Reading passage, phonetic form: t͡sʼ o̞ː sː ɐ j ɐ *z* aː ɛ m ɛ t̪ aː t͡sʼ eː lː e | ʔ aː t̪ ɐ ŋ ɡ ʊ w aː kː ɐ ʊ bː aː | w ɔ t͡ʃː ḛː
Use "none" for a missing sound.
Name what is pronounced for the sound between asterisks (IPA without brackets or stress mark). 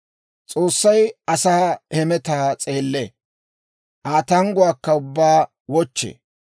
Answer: s